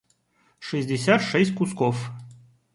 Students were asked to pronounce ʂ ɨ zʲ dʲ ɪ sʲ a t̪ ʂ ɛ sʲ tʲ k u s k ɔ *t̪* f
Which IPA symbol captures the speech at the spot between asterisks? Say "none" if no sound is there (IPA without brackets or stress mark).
none